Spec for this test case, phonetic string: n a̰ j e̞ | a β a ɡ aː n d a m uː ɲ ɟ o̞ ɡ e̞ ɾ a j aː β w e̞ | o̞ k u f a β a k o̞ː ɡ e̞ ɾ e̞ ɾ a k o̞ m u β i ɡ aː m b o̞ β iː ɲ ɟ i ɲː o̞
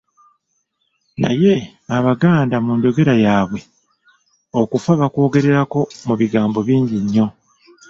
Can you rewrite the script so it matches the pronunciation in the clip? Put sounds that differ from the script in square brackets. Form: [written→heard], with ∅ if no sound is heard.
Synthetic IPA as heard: n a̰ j e̞ | a β a ɡ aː n d a m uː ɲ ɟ o̞ ɡ e̞ ɾ a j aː β w e̞ | o̞ k u f a β a k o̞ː ɡ e̞ ɾ e̞ ɾ a k o̞ m u β i ɡ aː m b o̞ β iː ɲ ɟ i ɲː o̞